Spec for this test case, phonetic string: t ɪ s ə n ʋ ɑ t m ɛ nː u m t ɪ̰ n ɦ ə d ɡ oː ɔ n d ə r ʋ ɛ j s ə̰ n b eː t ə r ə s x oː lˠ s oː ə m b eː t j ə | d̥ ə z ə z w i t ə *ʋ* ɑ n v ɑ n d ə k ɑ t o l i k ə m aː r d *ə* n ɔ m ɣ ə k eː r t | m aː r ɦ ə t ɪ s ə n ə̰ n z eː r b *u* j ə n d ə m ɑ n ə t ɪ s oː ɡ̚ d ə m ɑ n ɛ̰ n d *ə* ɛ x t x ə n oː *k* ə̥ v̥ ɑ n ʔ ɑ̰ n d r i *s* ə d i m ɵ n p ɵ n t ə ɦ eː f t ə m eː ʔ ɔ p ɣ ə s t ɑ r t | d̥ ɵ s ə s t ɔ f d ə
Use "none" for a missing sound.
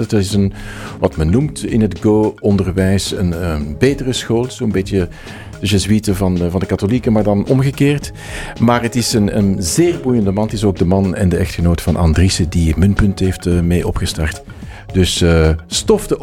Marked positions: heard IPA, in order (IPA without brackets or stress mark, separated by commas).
v, ɑ, u, ə, t, s